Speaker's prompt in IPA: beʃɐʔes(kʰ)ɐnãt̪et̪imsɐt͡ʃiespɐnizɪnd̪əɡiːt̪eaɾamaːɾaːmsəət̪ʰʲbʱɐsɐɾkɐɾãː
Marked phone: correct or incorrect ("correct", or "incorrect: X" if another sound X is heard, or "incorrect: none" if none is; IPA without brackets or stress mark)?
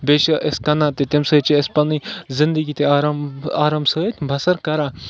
incorrect: k